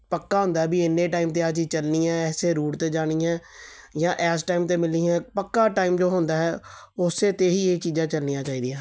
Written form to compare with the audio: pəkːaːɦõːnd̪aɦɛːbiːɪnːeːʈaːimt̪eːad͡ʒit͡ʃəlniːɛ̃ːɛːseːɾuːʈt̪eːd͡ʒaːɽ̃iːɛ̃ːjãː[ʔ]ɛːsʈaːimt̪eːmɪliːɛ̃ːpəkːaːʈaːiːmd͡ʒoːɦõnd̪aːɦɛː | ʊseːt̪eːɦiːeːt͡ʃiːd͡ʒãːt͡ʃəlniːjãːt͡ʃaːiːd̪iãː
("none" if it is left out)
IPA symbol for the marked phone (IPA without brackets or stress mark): ʔ